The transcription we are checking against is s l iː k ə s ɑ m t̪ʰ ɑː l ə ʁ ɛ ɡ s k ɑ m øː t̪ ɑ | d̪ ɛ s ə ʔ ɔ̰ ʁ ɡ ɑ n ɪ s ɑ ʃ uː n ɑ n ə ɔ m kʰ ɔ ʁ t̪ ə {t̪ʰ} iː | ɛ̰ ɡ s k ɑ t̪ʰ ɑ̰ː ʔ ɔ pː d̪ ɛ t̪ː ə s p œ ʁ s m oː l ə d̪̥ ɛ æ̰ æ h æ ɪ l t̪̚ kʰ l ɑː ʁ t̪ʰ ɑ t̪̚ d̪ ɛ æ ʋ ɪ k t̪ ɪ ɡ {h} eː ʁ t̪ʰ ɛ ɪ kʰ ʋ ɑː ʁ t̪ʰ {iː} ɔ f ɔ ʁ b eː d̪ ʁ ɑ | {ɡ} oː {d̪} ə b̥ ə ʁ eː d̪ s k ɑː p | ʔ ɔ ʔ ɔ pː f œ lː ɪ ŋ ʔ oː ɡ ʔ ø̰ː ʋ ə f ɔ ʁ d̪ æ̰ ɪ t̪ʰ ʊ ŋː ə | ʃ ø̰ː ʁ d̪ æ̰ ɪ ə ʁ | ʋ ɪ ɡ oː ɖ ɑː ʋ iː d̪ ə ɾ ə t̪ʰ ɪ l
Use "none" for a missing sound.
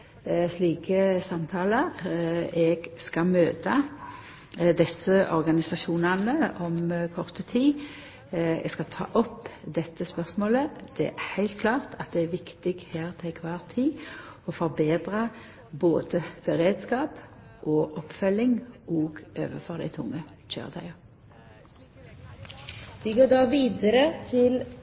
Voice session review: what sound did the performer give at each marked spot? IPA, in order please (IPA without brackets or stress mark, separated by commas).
t̪ʰ, h, iː, b, d̪